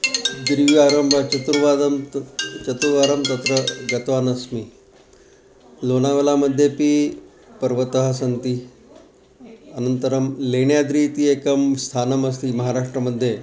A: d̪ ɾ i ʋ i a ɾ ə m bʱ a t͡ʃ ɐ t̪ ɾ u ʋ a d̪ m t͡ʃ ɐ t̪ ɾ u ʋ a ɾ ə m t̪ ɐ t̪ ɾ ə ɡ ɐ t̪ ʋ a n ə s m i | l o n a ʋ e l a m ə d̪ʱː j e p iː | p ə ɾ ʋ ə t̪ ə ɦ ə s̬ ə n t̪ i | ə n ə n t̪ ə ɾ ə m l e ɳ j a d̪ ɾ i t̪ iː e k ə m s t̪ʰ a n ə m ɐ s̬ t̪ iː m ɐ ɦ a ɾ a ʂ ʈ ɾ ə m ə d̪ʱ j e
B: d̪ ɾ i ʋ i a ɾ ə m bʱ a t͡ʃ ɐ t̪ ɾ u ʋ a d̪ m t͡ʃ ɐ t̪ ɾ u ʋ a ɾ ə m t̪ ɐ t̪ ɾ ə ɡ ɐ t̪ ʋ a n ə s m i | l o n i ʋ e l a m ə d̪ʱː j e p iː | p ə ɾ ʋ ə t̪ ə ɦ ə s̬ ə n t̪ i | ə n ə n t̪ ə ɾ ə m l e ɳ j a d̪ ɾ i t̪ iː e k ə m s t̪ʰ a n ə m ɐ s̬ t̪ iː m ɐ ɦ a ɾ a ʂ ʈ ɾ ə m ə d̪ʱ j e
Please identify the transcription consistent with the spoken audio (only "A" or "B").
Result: A